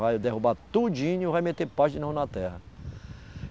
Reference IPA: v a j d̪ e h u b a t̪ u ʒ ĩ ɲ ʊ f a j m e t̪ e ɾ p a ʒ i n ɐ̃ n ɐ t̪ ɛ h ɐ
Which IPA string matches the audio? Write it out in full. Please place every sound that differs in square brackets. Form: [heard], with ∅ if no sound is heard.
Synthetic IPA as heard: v a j d̪ e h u b a t̪ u [d͡ʒ] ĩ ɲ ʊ [v] a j m e t̪ e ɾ p a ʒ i n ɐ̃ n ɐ t̪ ɛ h ɐ